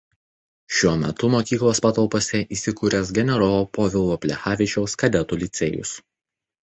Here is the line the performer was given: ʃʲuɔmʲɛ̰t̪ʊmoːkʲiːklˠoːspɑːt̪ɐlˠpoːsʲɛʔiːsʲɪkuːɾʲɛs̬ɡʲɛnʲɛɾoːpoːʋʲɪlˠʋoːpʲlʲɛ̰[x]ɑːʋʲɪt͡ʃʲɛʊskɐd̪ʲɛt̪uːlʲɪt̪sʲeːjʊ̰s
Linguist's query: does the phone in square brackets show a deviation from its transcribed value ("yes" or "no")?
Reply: no